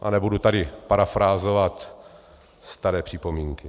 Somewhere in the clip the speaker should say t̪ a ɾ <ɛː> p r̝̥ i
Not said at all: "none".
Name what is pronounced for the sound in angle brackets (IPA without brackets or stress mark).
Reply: ɛː